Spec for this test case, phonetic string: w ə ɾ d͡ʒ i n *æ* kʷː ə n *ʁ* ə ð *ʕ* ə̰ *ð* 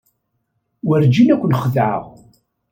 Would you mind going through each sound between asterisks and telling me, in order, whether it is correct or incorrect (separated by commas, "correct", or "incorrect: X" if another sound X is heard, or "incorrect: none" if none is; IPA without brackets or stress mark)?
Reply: correct, incorrect: χ, correct, incorrect: ʁ